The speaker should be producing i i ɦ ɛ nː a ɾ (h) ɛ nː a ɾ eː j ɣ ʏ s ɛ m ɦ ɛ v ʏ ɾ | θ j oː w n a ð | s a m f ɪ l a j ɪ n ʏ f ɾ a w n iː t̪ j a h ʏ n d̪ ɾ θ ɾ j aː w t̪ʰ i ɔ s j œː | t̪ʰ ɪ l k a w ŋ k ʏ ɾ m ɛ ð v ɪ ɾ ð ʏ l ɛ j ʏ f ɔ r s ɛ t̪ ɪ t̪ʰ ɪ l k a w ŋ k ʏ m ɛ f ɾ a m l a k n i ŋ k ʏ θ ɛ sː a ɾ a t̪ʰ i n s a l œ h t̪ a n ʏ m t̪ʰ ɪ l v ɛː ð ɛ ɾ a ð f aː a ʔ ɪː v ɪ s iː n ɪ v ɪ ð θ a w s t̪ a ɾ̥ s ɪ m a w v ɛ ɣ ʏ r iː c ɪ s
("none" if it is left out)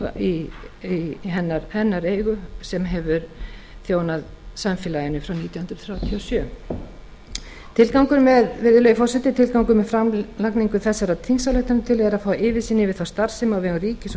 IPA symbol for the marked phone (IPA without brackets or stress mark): h